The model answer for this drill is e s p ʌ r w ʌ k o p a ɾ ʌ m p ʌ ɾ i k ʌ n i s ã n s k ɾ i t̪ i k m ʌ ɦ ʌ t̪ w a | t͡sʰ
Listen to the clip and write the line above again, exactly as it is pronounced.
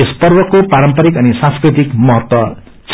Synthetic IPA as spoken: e s p ʌ r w ʌ k o p a ɾ ʌ m p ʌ ɾ i k ʌ n i s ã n s k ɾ i t̪ i k m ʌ ɦ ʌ t̪ w ʌ | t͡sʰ